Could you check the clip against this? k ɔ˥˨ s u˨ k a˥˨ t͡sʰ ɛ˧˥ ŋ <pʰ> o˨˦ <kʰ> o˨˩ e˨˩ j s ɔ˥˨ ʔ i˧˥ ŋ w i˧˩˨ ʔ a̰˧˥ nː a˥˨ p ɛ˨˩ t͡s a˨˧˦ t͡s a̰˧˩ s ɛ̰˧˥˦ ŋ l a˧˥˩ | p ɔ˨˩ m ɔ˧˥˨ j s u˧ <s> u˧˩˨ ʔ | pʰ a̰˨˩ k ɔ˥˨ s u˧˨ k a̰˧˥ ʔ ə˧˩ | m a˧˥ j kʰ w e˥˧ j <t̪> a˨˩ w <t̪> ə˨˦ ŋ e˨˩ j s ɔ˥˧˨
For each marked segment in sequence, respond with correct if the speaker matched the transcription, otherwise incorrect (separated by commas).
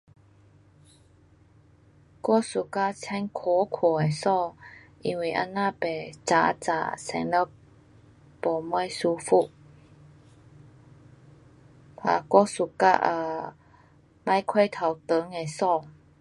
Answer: incorrect, correct, incorrect, incorrect, correct